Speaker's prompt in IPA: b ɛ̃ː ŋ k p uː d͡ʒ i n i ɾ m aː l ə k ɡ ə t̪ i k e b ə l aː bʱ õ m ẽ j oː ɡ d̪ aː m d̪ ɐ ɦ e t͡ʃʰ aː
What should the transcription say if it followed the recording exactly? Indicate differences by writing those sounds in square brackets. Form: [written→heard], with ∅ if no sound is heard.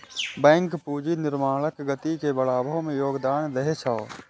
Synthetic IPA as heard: b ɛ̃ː ŋ k p uː d͡ʒ i n [i→ɪ] ɾ m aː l ə k ɡ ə t̪ i k e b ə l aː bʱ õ m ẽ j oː ɡ d̪ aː [m→n] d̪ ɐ ɦ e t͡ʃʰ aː